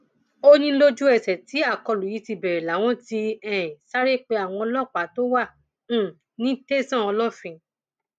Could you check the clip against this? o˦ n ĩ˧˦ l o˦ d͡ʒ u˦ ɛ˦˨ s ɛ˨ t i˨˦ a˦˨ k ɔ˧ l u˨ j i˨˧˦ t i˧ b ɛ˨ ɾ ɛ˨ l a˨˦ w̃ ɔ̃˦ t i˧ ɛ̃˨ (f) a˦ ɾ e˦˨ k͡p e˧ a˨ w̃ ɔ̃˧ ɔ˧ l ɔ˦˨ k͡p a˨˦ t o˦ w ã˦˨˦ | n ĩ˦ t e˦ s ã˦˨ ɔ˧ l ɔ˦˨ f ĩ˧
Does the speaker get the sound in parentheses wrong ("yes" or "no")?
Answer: yes